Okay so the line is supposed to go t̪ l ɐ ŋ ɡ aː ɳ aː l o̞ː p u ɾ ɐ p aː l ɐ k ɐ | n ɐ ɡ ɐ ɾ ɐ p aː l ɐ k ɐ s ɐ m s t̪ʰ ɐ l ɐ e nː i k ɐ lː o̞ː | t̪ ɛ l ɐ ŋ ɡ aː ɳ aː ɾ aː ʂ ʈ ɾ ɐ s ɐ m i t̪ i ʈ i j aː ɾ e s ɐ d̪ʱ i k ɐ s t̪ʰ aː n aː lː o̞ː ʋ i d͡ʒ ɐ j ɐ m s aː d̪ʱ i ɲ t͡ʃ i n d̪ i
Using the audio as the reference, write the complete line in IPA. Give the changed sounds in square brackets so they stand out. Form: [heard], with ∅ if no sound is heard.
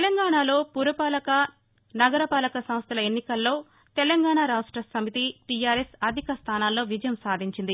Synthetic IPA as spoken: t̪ l ɐ ŋ ɡ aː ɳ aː l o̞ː p u ɾ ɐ p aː l ɐ k ɐ | n ɐ ɡ ɐ ɾ ɐ p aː l ɐ k ɐ s ɐ m s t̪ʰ ɐ l ɐ e nː i k ɐ lː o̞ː | t̪ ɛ l ɐ ŋ ɡ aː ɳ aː ɾ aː ʂ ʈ ɾ ɐ s ɐ m i t̪ i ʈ i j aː ɾ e s ɐ d̪ʱ i k ɐ s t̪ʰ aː n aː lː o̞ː ʋ i d͡ʒ ɐ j ɐ m s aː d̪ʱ i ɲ t͡ʃ i n d̪ i